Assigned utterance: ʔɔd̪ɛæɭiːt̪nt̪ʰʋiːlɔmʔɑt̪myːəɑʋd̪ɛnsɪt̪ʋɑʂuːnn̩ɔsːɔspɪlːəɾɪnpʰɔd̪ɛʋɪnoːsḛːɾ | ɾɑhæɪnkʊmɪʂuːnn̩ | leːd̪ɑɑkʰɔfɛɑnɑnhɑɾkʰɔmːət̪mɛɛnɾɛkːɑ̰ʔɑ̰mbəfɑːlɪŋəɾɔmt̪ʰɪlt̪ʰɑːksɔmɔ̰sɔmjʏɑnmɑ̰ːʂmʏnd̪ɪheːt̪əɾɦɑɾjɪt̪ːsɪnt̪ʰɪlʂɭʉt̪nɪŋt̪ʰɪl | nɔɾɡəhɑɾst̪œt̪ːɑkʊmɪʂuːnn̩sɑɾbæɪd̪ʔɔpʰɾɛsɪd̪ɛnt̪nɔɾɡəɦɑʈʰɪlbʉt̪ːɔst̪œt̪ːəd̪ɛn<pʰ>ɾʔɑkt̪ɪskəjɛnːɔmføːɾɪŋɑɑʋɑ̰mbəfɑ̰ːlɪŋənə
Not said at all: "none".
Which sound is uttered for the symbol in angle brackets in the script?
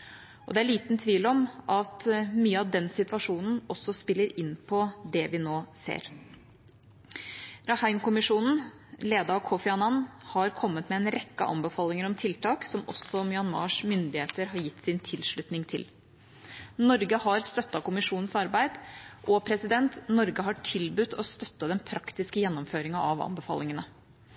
pʰ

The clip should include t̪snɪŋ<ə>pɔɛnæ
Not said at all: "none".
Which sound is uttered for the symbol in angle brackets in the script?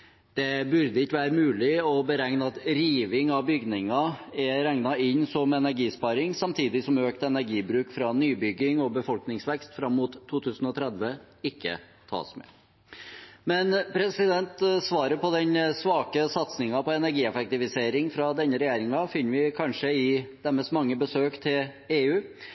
ɑ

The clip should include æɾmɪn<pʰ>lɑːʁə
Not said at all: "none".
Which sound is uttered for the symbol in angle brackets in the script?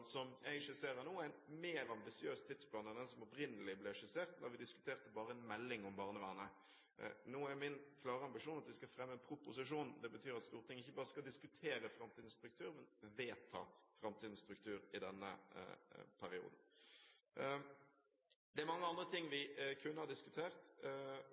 kʰ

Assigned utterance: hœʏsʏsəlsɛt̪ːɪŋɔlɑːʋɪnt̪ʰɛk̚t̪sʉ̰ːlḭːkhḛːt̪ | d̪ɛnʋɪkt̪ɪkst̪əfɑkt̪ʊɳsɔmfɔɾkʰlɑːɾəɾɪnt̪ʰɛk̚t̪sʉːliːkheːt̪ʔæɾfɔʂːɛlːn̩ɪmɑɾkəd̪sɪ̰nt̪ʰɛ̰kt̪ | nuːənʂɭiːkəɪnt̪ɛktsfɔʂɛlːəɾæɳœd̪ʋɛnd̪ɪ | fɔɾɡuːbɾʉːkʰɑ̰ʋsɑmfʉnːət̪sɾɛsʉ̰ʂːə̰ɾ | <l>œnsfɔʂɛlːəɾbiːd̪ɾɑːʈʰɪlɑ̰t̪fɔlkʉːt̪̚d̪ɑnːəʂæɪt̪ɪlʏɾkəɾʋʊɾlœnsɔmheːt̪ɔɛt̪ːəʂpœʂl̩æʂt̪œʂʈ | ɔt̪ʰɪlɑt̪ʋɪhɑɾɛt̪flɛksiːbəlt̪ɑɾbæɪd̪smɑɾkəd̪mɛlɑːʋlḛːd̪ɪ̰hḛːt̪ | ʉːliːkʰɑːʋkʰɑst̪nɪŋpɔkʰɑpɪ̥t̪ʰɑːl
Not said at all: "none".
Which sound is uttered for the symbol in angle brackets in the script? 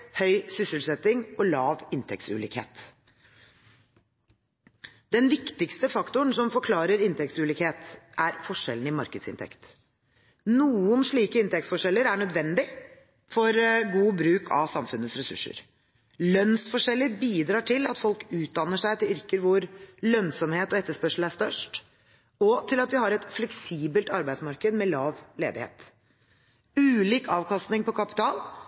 l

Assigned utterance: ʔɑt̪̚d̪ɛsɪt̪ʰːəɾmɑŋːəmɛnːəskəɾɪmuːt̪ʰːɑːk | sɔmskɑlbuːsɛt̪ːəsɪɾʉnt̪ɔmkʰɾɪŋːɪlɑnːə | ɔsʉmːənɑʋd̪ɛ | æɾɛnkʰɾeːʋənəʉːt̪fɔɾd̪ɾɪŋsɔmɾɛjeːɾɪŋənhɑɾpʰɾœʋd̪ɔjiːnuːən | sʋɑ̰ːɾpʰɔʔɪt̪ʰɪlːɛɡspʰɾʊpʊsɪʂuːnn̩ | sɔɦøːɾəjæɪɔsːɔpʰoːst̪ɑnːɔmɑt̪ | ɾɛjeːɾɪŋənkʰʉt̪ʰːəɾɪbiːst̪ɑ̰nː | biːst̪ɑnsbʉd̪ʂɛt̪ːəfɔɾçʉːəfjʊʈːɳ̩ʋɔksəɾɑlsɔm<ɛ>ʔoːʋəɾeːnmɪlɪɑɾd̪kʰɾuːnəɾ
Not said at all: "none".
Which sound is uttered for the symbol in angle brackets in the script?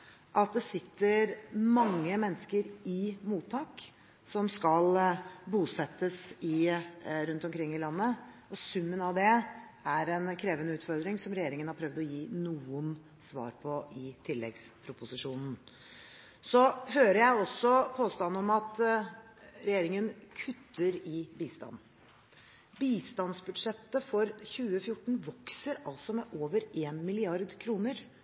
ɛ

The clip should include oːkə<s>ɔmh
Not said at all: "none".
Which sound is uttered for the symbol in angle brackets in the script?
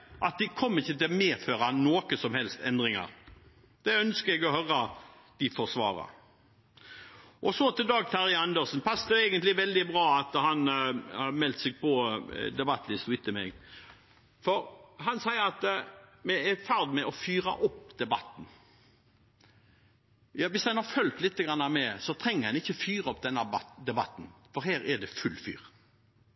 s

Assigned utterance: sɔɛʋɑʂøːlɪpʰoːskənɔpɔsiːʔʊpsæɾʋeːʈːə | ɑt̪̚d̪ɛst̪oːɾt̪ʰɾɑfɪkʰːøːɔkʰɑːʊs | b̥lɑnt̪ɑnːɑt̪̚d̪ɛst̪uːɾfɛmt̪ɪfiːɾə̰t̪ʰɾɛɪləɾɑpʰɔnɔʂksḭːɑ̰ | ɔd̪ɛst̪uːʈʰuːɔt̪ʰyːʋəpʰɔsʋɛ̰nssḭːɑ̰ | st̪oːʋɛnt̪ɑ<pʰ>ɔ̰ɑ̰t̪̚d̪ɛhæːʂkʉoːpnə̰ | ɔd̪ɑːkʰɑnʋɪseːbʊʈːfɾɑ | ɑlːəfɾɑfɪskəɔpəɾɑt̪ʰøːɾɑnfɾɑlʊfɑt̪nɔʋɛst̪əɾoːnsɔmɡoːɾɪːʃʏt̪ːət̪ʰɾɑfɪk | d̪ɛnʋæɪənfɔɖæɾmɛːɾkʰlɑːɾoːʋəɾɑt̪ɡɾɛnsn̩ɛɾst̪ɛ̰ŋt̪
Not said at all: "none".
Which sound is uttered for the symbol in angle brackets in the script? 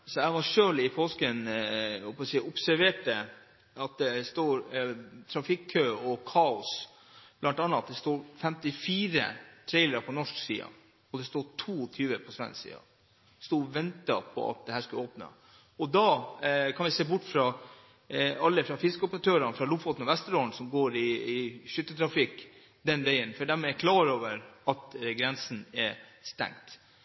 pʰ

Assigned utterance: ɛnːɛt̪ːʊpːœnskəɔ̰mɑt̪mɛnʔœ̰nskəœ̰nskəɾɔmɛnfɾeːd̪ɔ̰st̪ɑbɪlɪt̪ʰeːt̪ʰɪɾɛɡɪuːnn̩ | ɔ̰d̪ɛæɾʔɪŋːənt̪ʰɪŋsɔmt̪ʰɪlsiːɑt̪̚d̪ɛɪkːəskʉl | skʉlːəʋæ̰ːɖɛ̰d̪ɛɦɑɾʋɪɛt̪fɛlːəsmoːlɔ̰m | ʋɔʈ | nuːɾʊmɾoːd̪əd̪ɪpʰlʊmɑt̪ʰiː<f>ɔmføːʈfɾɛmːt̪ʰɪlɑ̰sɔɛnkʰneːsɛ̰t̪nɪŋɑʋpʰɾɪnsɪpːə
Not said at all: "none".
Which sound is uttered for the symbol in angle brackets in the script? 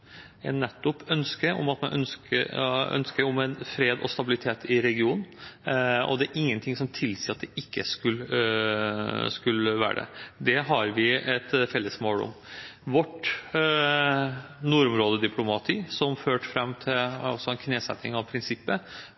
s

